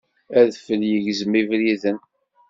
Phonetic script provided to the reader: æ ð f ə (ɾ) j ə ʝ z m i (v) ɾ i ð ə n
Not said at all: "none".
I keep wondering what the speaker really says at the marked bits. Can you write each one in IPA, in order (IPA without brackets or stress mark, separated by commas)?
l, v